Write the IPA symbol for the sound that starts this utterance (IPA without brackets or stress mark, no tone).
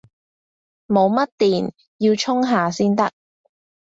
m